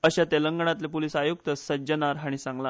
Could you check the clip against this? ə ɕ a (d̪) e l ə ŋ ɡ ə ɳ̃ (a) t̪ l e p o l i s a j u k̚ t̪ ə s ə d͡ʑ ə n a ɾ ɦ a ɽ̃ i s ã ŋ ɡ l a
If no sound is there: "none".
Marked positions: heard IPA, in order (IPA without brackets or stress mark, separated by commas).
t̪, a